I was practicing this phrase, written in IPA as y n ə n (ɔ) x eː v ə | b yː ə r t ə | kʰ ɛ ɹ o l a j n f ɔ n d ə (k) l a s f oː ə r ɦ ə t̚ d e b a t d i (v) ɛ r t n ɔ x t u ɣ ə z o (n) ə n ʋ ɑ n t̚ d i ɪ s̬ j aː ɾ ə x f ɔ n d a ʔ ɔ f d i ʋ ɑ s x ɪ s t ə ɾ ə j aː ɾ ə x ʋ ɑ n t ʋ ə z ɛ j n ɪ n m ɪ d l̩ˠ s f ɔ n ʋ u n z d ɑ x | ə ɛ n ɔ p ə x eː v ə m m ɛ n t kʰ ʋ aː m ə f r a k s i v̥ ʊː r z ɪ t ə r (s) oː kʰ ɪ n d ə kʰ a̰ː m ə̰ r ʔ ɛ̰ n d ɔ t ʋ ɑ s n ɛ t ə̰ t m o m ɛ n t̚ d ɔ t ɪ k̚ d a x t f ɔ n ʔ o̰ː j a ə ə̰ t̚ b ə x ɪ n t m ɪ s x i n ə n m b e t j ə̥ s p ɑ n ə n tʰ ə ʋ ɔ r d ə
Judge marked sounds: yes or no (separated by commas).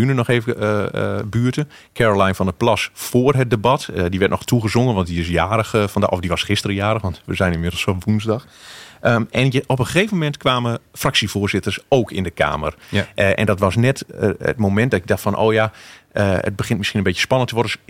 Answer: yes, no, no, no, yes